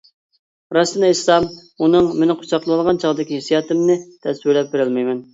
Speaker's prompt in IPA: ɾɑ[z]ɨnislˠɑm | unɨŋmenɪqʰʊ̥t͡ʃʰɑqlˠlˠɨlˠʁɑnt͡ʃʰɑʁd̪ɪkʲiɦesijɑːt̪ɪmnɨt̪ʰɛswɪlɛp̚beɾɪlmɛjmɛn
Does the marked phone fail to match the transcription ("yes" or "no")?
yes